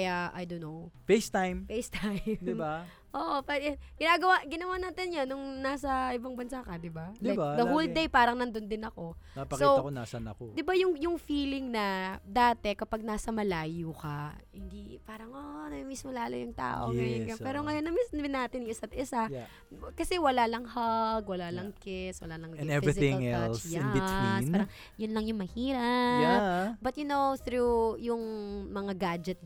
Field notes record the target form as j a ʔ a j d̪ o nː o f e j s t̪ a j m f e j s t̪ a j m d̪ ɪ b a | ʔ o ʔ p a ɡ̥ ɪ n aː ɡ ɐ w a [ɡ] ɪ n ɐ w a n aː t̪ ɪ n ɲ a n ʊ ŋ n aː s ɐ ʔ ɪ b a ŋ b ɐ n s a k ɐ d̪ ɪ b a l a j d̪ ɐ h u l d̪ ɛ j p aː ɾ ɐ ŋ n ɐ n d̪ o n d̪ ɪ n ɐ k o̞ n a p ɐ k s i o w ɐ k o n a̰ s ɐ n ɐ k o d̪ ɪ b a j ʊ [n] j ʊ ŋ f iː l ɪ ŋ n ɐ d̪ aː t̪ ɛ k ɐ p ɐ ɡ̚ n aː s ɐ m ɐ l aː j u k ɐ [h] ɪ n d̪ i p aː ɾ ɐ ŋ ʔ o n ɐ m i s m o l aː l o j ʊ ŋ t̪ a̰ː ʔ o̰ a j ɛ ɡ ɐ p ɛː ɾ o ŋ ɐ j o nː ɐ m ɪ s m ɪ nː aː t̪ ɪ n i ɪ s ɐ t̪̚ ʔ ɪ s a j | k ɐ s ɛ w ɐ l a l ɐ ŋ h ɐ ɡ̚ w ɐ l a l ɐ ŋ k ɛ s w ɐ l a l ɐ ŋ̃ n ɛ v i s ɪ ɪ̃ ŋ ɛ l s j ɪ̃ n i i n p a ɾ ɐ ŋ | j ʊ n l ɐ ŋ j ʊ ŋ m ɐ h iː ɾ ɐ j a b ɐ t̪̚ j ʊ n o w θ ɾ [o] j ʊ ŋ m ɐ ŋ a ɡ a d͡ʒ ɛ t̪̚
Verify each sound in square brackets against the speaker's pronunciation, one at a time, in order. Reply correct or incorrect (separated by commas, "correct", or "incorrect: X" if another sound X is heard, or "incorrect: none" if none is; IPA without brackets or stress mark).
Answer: correct, incorrect: ŋ, correct, incorrect: u